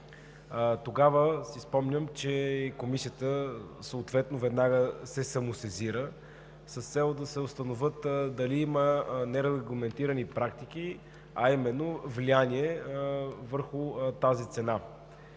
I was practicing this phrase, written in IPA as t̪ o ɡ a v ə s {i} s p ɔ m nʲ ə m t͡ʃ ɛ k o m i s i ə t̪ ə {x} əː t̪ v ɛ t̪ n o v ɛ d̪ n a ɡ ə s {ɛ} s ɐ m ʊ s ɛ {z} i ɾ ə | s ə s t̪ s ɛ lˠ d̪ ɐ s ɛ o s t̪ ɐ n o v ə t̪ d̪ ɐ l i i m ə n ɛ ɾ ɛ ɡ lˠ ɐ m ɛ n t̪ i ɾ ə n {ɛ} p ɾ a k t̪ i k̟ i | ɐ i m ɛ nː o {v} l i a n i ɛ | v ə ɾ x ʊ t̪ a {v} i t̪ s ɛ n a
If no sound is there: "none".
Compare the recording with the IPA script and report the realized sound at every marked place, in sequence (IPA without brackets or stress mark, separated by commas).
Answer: i, s, ɛ, z, i, v, z